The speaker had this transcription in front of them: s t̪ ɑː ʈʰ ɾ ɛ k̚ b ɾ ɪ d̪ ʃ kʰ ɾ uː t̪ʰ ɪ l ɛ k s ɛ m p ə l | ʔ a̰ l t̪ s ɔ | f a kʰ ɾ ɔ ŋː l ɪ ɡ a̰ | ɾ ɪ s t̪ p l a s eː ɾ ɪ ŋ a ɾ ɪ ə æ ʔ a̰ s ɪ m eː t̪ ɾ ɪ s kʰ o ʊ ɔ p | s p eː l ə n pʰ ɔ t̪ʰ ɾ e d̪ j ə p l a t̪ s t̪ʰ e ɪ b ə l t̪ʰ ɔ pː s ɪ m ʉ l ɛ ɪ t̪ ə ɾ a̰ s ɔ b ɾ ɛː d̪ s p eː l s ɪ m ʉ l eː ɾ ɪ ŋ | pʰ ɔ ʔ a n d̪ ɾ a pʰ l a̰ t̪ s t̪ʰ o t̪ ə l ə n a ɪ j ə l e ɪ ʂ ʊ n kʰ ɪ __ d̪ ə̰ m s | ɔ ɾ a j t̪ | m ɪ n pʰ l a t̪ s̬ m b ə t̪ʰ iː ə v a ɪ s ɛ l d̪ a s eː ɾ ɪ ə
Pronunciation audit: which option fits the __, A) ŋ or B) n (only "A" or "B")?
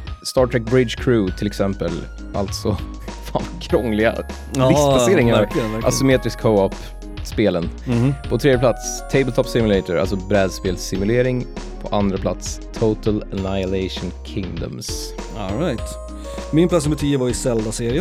A